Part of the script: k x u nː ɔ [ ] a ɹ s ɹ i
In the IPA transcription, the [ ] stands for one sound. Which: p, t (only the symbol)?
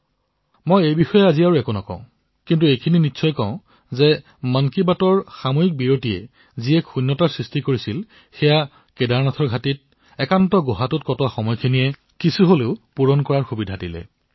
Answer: t